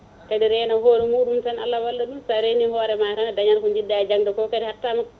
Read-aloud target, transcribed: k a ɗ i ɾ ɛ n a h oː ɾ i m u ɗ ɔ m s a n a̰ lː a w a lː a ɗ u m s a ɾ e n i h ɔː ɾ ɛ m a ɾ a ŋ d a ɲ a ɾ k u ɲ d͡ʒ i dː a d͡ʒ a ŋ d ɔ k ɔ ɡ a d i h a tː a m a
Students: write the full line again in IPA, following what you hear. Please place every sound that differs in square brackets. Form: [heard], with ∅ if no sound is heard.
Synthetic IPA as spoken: k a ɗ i ɾ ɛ n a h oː ɾ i m u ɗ [u] m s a n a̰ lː a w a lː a ɗ u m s a ɾ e n i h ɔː ɾ ɛ m a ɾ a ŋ d a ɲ a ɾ k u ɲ d͡ʒ i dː a d͡ʒ a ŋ d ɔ k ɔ [k] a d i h a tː a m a

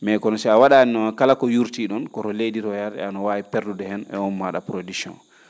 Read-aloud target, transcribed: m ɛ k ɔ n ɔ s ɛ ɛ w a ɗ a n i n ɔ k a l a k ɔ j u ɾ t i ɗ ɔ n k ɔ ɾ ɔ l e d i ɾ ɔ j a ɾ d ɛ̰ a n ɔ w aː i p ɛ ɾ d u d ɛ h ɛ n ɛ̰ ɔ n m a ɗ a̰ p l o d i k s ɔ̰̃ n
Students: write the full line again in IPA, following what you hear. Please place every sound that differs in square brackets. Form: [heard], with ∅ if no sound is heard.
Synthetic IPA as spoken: m ɛ k ɔ n ɔ s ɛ [a] w a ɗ a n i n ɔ k a l a k ɔ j u ɾ t i ɗ ɔ n k ɔ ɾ ɔ l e d i ɾ ɔ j a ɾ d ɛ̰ a n ɔ w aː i p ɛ ɾ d u d ɛ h ɛ n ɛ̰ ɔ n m a ɗ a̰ p [ɾ] o d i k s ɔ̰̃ n

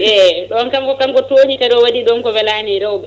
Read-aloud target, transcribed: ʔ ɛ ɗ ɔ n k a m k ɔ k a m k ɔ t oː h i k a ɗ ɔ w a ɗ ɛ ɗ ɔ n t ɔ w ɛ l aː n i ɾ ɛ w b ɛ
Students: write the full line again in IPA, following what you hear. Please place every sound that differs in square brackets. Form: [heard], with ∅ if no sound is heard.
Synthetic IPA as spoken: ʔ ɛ ɗ ɔ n k a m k ɔ k a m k ɔ t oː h i k a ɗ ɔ w a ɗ [i] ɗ ɔ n [k] ɔ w ɛ l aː n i ɾ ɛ w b ɛ

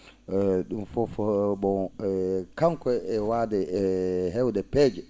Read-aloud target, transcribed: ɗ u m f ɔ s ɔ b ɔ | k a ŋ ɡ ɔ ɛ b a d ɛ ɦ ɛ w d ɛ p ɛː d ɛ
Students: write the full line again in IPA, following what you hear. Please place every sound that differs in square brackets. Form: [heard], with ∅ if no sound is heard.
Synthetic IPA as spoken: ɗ u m f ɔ [f] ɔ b ɔ | k a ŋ [k] ɔ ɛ [w] a d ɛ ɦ ɛ w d ɛ p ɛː [d͡ʒ] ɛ

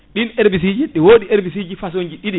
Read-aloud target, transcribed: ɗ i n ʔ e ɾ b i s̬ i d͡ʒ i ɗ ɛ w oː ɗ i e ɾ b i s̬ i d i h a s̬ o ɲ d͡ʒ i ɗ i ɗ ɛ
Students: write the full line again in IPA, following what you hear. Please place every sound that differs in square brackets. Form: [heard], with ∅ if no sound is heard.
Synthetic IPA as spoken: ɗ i n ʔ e ɾ b i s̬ i d͡ʒ i ɗ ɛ w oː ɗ i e ɾ b i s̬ i [d͡ʒ] i [f] a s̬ o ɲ d͡ʒ i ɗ i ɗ [i]

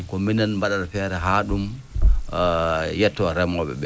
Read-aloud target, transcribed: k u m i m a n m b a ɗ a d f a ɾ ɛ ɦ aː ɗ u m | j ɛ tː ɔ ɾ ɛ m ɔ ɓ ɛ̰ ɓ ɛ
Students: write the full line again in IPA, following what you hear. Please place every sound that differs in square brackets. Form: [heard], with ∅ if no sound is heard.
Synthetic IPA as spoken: k [ɔ] m i [n] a n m b a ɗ a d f [ɛ] ɾ ɛ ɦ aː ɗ u m | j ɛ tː ɔ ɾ ɛ m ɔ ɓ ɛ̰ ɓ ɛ

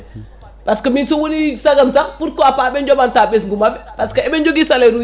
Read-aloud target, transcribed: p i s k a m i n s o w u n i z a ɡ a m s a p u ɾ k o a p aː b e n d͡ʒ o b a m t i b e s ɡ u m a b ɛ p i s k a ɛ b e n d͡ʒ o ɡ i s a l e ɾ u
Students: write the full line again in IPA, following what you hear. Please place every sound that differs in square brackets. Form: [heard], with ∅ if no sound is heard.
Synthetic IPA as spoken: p [a] s k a m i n s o w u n i [s] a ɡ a m s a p u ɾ k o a p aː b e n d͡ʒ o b a [n] t [a] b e s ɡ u m a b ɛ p [a] s k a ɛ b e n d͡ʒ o ɡ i s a l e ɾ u

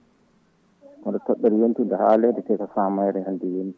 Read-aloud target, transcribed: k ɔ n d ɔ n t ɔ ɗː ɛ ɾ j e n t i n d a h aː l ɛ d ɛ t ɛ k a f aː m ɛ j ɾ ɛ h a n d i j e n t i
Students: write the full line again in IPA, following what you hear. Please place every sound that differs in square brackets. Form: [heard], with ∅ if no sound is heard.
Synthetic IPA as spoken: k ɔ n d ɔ [∅] t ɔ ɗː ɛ ɾ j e n t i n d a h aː l ɛ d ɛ t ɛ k a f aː m [a] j ɾ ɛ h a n d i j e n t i

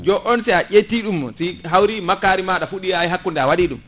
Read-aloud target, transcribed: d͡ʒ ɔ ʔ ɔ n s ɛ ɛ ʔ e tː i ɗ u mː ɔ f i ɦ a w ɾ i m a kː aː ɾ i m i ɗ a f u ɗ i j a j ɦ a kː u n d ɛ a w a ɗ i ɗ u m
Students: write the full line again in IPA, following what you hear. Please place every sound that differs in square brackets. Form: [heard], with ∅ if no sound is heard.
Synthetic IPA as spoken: d͡ʒ ɔ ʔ ɔ n s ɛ [a] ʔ e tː i ɗ u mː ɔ [s] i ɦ a w ɾ i m a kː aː ɾ i m [a] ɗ a f u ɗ i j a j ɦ a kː u n d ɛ a w a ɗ i ɗ u m

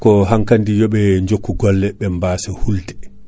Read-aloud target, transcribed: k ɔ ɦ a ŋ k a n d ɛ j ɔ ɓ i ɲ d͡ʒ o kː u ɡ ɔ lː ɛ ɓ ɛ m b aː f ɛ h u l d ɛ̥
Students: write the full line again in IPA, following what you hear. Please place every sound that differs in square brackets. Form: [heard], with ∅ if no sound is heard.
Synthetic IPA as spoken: k ɔ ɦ a ŋ k a n d [i] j ɔ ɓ [ɛ] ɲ d͡ʒ o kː u ɡ ɔ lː ɛ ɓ ɛ m b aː [s] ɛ h u l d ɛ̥

